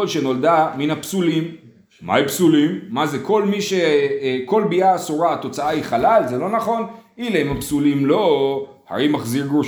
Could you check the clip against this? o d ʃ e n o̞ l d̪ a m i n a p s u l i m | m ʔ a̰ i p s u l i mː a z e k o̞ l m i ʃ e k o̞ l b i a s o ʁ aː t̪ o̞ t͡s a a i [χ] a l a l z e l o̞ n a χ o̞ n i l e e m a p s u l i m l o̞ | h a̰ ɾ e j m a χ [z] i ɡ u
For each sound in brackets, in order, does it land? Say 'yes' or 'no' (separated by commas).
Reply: yes, yes